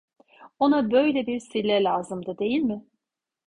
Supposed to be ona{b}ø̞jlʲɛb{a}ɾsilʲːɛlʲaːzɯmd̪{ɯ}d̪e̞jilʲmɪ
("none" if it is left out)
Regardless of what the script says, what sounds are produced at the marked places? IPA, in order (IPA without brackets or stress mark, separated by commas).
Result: b, i, ɯ